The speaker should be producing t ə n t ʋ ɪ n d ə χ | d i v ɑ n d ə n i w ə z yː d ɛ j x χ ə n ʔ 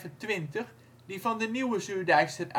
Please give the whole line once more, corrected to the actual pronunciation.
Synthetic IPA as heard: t ə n t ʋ ɪ n t ə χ | d i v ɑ n d ə n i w ə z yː d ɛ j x s ə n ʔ